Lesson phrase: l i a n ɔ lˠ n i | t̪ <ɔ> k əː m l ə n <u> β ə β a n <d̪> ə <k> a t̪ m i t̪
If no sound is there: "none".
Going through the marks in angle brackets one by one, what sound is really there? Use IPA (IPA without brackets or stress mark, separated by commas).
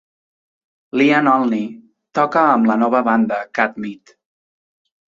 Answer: ɔ, ɔ, d̪, k